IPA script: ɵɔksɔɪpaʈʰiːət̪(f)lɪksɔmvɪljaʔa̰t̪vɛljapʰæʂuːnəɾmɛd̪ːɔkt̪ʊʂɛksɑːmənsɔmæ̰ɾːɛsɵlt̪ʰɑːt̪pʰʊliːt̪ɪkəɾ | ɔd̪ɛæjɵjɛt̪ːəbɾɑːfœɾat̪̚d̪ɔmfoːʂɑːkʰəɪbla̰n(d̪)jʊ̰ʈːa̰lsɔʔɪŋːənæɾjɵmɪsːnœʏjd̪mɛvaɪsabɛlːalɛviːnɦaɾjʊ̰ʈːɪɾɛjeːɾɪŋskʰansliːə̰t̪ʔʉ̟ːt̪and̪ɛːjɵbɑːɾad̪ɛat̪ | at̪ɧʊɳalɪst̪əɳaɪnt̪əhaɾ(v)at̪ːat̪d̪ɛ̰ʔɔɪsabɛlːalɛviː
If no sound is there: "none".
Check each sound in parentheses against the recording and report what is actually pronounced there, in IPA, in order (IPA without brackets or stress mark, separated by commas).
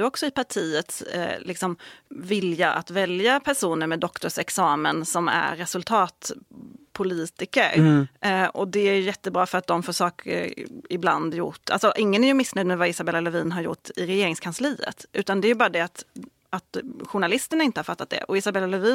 s, d̪, f